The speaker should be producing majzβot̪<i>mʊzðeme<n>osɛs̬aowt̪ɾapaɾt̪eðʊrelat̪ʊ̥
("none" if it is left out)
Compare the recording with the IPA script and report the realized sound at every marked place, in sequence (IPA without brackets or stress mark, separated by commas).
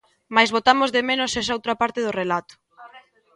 a, n